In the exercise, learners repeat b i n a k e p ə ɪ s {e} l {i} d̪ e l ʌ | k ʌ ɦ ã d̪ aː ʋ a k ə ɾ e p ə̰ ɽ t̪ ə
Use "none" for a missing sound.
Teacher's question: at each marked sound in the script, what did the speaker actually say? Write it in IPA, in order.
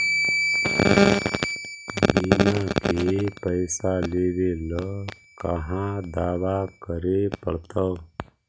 a, e

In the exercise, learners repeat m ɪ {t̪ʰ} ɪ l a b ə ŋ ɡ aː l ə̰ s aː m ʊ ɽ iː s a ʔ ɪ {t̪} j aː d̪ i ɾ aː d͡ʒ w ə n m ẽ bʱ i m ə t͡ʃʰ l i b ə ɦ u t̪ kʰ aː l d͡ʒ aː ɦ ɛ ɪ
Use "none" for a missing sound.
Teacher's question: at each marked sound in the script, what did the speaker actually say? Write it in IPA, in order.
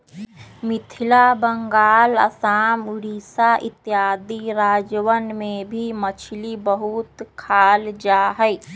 t̪ʰ, t̪

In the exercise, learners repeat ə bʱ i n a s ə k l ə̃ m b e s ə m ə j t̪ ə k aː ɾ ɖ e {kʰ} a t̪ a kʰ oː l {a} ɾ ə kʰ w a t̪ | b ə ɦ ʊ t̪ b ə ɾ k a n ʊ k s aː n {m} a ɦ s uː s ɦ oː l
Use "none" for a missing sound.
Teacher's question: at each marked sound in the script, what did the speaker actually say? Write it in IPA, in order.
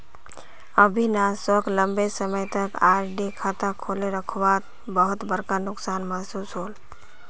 kʰ, e, m

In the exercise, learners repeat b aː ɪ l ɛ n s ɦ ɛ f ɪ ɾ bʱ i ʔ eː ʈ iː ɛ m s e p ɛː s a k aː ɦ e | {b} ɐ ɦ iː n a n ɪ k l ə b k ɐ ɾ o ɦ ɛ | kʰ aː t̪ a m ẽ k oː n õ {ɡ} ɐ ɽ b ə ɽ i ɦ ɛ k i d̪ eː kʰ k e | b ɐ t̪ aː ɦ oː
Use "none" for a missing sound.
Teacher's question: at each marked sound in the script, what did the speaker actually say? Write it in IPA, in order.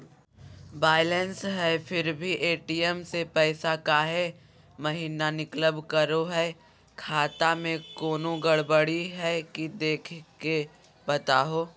m, ɡ

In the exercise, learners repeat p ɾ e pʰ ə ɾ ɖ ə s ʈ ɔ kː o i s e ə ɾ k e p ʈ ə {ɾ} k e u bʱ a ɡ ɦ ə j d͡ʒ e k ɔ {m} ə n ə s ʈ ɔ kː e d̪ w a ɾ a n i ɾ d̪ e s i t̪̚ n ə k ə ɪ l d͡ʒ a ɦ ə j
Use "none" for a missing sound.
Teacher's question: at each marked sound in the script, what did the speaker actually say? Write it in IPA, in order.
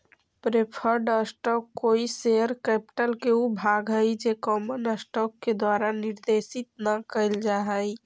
l, m

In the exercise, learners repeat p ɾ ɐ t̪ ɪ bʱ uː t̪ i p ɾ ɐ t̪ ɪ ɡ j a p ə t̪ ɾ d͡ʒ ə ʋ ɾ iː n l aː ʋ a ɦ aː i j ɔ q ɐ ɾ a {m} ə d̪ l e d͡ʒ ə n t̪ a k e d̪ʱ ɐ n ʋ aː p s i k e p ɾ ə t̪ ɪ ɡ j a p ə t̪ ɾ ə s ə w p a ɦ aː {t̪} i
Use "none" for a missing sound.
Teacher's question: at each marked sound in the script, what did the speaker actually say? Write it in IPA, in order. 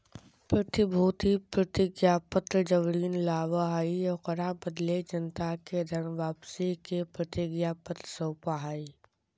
b, none

